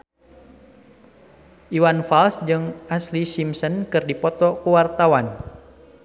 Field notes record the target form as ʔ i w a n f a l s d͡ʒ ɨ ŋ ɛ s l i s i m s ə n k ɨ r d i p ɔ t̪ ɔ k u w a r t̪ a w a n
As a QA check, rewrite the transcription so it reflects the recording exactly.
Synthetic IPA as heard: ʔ i w a n f a l s d͡ʒ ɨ ŋ a s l i s i m s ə n k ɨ r d i p ɔ t̪ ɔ k u w a r t̪ a w a n